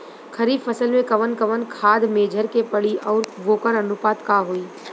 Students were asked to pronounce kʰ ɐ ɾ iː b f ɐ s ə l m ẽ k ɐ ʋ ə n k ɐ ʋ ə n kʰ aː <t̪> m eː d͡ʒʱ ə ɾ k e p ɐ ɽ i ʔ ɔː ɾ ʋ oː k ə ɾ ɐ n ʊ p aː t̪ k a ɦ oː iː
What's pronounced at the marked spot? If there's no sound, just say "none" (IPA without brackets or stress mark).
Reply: d̪